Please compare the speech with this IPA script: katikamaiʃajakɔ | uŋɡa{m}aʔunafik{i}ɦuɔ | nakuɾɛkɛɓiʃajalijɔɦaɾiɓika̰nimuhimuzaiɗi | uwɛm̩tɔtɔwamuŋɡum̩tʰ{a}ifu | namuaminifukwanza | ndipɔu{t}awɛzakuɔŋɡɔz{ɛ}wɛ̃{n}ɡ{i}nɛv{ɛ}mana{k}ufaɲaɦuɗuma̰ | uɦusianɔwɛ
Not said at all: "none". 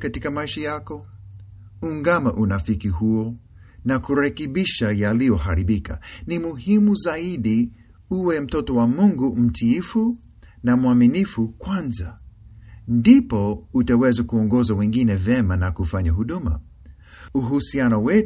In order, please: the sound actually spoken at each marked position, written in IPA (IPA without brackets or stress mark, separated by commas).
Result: m, i, i, t, a, ŋ, i, ɛ, k